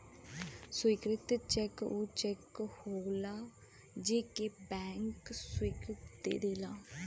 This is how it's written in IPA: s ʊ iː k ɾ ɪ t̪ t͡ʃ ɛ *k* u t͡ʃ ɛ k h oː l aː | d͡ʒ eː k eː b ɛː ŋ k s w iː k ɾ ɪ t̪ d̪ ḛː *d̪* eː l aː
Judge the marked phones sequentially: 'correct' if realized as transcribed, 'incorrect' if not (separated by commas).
correct, correct